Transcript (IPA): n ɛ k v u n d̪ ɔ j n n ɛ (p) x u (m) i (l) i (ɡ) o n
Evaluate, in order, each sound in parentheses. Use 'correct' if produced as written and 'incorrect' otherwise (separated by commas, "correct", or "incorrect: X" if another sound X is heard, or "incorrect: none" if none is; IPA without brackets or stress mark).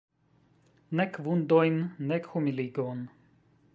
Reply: incorrect: k, correct, correct, correct